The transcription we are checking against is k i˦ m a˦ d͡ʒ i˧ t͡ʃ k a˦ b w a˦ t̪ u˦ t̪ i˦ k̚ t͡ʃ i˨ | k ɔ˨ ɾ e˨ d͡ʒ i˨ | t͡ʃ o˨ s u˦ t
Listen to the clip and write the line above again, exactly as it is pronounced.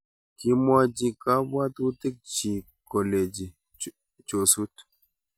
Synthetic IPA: k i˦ m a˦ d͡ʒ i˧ k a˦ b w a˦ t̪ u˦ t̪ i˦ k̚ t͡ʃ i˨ | k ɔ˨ l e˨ d͡ʒ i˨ | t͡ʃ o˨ s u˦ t